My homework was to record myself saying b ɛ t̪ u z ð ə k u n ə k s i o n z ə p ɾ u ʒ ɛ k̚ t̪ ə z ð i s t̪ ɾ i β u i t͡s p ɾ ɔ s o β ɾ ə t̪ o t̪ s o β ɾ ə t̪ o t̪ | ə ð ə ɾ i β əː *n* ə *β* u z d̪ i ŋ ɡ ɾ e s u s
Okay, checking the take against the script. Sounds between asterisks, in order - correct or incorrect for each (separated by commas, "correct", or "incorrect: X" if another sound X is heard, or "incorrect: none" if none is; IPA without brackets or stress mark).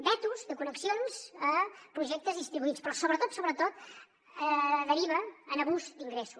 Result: correct, correct